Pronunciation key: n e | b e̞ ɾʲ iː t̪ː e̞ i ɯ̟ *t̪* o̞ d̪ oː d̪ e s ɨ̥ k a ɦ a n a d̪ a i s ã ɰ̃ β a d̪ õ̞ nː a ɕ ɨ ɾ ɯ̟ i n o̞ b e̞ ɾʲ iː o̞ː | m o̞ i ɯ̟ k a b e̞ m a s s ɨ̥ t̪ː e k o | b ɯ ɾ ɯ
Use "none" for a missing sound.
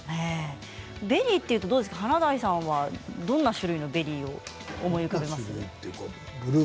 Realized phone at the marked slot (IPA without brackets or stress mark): t̪